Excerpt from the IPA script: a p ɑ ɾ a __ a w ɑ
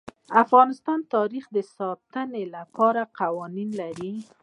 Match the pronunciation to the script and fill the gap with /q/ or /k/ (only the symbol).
q